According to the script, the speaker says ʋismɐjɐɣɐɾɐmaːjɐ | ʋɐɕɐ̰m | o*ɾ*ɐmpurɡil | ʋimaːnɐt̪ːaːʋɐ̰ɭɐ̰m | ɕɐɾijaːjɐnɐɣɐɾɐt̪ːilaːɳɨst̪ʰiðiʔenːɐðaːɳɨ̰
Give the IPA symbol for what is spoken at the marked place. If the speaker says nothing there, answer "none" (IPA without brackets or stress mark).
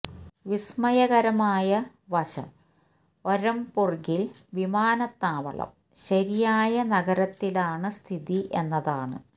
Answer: ɾ